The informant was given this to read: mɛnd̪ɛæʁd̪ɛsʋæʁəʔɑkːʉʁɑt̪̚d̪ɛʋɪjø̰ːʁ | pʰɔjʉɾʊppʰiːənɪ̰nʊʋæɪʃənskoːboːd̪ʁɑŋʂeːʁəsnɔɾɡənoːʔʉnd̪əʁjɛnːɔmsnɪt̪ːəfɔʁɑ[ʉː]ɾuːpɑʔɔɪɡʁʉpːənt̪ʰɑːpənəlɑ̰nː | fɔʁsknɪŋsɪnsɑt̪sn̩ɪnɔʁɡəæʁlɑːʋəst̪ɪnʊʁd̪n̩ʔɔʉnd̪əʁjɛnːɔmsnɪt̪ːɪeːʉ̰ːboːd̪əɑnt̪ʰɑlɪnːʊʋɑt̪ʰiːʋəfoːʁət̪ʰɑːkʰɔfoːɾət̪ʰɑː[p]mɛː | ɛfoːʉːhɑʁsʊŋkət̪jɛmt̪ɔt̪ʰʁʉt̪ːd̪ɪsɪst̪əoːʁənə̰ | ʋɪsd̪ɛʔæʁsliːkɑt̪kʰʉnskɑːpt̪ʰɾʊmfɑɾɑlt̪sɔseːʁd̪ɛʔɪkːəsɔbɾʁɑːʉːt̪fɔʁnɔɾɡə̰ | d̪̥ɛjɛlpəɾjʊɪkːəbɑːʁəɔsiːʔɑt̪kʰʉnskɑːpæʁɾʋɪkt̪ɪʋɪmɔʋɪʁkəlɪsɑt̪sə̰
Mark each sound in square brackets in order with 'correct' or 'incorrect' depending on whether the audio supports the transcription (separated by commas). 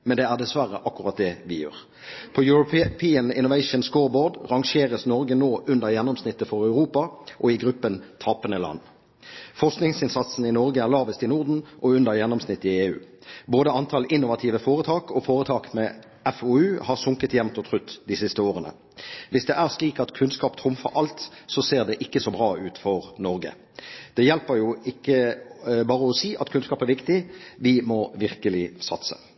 incorrect, incorrect